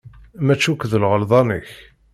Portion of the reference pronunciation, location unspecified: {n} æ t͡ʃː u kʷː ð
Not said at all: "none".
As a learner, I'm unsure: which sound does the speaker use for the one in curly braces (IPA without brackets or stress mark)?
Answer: m